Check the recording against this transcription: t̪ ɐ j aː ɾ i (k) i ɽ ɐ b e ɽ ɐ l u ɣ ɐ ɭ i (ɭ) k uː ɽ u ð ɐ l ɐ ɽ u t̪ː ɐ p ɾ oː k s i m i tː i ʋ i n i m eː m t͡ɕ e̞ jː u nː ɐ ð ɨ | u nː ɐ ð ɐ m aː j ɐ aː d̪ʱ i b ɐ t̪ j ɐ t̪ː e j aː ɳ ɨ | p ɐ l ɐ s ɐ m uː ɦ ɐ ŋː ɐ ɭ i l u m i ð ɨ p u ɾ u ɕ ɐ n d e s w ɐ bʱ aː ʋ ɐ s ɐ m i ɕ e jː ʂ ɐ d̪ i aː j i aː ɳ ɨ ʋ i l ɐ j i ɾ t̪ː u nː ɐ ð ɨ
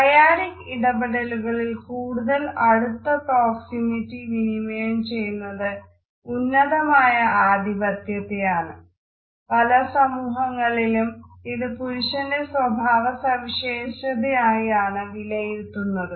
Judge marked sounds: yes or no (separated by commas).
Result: yes, no